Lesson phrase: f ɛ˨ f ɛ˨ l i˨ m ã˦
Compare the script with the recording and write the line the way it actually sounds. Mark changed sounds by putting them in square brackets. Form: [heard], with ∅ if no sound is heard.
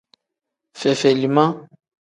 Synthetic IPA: f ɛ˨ f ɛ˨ l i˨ m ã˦